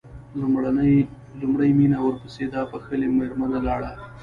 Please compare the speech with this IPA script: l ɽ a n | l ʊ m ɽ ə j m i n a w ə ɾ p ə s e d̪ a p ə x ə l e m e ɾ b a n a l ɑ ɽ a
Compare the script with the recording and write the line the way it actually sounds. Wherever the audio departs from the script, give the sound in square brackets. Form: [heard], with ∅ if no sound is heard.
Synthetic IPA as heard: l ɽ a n | l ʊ m ɽ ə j m i n a w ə ɾ p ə s e d̪ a p ə x ə l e m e ɾ [m] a n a l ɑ ɽ a

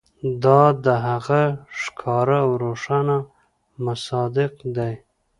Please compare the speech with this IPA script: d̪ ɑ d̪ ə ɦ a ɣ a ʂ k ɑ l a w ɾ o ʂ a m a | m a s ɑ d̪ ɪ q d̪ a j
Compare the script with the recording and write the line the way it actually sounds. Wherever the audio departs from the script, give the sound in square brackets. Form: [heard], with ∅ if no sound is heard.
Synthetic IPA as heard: d̪ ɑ d̪ ə ɦ a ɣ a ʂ [kʰ] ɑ [ɾ] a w ɾ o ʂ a [n] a | m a s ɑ d̪ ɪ q d̪ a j

